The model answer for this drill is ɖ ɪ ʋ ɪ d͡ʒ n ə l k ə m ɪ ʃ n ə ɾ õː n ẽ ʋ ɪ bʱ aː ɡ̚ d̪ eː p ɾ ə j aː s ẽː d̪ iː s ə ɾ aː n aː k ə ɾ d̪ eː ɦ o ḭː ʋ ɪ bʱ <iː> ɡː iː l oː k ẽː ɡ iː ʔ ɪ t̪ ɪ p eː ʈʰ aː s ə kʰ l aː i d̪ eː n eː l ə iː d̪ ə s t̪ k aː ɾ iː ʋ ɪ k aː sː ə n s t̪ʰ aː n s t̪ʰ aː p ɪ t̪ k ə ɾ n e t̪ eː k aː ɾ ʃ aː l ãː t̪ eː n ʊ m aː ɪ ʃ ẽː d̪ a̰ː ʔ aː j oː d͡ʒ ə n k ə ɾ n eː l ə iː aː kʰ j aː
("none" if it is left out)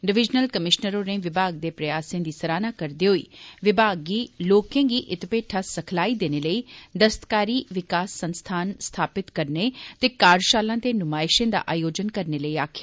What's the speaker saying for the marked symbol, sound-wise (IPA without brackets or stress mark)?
aː